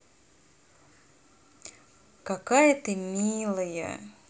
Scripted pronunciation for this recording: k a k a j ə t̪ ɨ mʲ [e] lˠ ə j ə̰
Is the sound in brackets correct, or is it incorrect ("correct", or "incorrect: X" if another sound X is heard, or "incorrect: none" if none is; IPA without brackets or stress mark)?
incorrect: i